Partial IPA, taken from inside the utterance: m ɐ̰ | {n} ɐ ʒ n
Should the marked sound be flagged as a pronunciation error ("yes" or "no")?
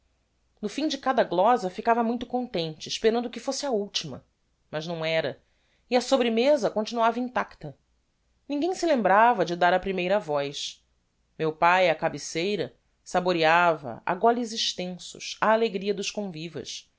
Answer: yes